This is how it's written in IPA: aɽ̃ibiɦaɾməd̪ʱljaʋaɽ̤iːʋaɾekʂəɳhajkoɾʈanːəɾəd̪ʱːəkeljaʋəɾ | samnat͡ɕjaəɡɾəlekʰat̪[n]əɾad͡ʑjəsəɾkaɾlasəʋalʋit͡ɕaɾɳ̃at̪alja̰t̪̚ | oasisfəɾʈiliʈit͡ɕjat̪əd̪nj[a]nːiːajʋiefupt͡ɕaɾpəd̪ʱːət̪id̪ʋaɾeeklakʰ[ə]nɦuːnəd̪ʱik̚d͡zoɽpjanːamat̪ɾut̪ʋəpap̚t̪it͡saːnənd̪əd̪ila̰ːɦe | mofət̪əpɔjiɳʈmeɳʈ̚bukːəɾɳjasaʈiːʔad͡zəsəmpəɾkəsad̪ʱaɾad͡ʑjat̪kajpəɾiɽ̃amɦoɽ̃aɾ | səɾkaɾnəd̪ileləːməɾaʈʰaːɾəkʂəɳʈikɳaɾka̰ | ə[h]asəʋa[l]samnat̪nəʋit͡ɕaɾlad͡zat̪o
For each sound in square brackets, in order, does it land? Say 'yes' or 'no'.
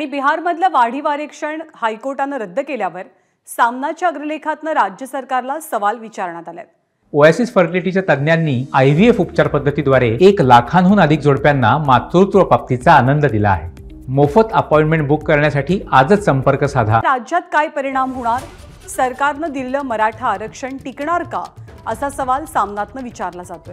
yes, yes, no, no, yes

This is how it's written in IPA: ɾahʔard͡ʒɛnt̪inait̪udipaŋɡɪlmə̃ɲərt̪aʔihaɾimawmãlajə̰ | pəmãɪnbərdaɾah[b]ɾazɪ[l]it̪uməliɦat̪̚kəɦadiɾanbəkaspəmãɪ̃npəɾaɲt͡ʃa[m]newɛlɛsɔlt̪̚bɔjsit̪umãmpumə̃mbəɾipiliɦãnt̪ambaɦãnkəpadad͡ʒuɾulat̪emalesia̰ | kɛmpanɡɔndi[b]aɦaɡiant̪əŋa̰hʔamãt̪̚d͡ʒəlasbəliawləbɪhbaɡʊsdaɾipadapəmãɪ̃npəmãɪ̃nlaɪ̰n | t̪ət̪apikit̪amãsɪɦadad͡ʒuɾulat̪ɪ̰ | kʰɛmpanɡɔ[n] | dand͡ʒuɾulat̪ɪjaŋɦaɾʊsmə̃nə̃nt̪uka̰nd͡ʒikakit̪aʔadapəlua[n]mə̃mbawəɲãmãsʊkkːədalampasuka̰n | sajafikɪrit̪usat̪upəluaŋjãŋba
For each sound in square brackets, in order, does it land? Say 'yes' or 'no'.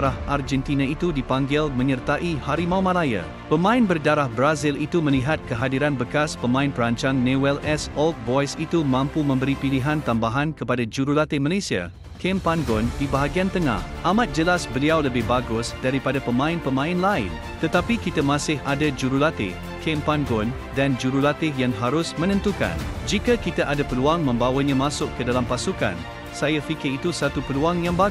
yes, yes, no, yes, yes, no

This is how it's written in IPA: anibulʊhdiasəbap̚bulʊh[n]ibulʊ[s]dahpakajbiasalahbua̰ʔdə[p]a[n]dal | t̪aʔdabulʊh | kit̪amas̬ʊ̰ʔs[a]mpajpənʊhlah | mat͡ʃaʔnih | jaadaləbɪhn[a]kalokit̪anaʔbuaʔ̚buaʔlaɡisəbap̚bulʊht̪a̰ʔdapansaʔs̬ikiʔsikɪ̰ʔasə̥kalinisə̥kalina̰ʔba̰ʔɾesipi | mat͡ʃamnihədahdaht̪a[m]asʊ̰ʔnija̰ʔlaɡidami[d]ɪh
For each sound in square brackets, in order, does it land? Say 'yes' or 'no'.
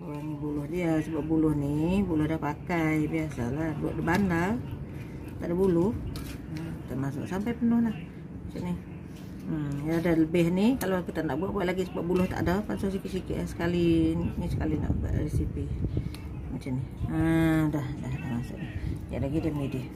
yes, no, no, yes, yes, no, yes, yes

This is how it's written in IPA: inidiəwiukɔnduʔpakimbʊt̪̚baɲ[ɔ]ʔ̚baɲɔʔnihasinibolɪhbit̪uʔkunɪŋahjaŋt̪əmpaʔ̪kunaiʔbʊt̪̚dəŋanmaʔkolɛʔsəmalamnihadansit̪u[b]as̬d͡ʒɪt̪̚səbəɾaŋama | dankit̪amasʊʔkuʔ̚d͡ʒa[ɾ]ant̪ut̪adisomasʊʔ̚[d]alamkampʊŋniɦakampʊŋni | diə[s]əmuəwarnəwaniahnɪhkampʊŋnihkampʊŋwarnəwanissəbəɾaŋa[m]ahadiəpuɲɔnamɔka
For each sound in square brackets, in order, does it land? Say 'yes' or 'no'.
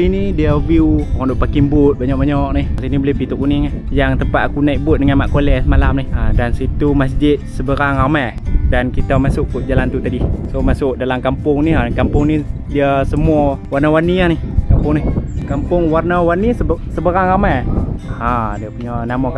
yes, no, no, yes, yes, yes

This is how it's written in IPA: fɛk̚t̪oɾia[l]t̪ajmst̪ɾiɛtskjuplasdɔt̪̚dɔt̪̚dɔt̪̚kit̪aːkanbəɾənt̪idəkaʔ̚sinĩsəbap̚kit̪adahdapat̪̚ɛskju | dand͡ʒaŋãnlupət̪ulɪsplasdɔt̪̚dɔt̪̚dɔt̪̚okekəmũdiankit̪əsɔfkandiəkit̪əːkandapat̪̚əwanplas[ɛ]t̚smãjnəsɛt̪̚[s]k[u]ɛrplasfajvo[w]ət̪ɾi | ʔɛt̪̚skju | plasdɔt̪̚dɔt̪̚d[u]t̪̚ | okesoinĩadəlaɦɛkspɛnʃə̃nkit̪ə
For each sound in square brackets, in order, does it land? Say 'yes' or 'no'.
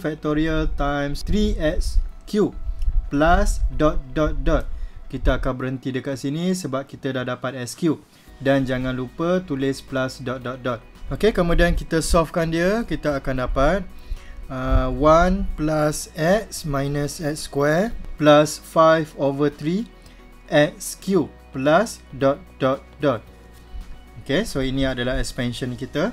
yes, yes, yes, no, no, no

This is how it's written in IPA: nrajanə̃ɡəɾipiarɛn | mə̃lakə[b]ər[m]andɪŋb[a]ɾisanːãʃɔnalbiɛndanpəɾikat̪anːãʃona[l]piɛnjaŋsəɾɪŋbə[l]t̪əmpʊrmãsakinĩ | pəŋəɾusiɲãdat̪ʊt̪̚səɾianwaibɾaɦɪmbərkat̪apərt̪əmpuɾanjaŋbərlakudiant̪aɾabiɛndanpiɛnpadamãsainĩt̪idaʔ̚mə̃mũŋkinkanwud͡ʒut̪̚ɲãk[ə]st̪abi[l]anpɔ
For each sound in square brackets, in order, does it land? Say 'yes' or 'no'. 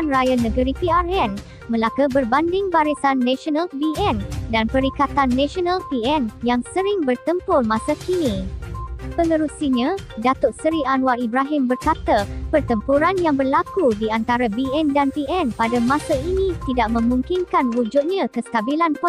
yes, no, yes, yes, no, yes, yes

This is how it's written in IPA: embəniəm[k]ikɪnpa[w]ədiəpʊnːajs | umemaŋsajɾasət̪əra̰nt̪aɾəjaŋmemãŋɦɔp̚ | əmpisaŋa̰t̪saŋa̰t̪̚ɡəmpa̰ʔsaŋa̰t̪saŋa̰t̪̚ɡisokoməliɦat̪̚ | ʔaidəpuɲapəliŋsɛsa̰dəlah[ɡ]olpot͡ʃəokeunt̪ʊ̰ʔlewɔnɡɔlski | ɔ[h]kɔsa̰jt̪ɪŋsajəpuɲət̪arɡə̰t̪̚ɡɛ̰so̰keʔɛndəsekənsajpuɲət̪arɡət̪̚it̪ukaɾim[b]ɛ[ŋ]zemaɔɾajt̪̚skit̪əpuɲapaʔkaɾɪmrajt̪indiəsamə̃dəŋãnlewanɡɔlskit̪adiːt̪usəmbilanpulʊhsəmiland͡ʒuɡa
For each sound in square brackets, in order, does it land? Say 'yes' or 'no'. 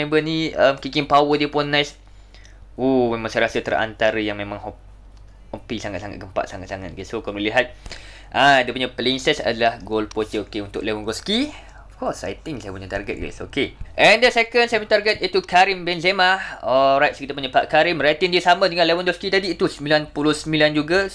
yes, yes, yes, no, yes, no

